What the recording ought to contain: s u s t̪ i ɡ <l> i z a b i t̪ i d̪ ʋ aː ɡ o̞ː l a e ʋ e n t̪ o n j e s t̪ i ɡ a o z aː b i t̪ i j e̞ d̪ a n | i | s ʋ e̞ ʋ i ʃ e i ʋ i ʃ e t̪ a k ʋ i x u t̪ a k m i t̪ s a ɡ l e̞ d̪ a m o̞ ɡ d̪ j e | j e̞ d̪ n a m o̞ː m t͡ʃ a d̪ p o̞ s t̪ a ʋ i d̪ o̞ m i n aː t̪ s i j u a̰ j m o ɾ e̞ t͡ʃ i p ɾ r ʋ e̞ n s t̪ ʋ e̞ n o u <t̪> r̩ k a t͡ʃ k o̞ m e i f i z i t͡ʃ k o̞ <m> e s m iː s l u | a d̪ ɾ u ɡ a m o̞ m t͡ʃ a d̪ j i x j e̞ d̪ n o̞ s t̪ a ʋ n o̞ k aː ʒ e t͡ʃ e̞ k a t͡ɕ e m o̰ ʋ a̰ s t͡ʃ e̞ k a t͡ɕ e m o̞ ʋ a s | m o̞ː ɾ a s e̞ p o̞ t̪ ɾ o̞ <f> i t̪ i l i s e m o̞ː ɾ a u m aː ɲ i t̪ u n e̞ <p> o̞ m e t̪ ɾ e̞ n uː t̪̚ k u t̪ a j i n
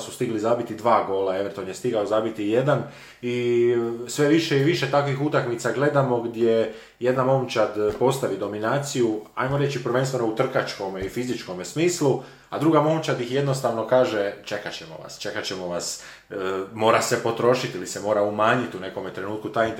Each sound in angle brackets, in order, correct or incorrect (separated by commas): correct, correct, correct, incorrect, incorrect